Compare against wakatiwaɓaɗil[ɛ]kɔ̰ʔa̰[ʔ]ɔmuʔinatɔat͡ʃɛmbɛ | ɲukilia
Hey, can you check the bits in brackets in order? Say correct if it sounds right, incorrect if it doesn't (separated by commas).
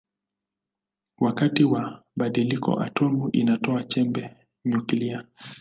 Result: incorrect, incorrect